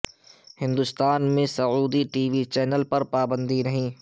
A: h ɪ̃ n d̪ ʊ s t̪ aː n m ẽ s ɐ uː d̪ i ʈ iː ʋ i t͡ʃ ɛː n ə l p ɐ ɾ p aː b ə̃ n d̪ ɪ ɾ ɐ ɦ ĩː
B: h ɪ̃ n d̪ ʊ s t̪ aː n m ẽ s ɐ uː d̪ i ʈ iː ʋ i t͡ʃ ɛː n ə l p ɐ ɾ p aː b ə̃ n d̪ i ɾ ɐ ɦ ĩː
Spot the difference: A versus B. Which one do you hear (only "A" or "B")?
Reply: B